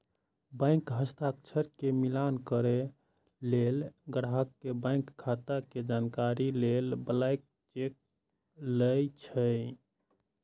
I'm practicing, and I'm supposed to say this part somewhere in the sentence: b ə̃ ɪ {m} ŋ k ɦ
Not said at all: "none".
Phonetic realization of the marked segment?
none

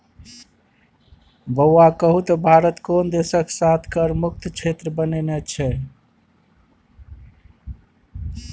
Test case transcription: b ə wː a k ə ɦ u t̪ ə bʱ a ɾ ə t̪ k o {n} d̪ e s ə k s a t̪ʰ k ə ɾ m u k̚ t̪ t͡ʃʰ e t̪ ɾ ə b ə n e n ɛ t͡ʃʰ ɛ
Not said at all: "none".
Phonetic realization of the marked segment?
n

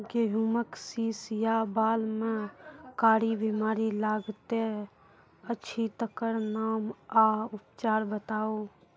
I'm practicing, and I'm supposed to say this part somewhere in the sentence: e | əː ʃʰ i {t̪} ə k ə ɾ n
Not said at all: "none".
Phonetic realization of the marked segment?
t̪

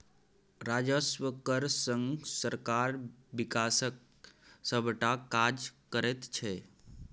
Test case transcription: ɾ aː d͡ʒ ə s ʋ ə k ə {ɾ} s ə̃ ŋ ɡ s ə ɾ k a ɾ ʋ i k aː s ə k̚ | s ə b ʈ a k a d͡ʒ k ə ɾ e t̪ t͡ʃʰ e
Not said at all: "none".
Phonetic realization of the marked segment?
ɾ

